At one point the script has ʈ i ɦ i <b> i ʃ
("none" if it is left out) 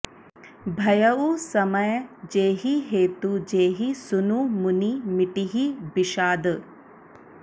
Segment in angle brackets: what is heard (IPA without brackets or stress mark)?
b